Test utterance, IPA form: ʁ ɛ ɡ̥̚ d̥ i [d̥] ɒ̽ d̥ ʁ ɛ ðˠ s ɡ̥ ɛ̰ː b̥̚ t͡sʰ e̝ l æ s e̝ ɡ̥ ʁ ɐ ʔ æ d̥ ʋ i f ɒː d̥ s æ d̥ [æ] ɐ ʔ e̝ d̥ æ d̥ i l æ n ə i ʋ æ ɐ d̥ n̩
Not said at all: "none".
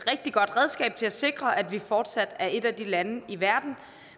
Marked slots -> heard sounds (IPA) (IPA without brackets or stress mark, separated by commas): ɡ̥, æ